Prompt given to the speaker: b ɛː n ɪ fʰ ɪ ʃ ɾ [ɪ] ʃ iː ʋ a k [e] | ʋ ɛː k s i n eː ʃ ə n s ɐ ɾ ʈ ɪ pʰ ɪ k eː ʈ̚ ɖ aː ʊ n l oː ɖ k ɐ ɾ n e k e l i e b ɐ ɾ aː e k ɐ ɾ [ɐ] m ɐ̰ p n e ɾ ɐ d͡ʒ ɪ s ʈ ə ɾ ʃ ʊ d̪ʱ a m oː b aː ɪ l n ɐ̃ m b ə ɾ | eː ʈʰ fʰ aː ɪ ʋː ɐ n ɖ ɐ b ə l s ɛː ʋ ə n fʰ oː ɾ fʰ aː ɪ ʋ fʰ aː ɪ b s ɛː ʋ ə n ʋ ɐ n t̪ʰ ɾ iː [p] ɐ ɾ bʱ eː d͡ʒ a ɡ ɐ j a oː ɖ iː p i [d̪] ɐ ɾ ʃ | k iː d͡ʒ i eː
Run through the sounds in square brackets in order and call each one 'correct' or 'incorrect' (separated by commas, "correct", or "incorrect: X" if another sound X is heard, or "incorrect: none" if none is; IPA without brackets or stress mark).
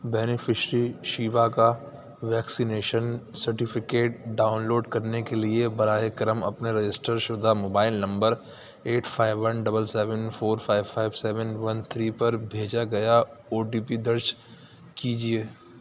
incorrect: i, incorrect: a, incorrect: ə, correct, correct